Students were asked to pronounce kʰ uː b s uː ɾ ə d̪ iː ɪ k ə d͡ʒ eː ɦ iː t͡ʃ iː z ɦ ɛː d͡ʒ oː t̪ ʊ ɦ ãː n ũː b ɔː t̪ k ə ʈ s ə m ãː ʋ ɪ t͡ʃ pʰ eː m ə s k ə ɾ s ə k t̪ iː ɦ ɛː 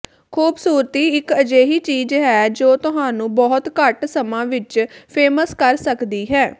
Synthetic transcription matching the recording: kʰ uː b s uː ɾ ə t̪ iː ɪ k ə d͡ʒ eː ɦ iː t͡ʃ iː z ɦ ɛː d͡ʒ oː t̪ ʊ ɦ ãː n ũː b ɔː t̪ k ə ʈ s ə m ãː ʋ ɪ t͡ʃ pʰ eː m ə s k ə ɾ s ə k d̪ iː ɦ ɛː